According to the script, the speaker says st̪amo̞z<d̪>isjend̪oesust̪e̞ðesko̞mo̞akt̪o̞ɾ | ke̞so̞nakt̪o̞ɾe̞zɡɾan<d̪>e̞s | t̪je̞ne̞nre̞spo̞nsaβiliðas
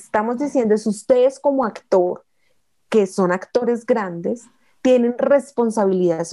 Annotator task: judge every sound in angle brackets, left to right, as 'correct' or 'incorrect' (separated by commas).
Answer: correct, correct